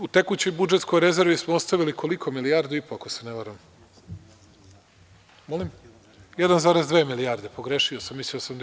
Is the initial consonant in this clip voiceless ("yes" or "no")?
yes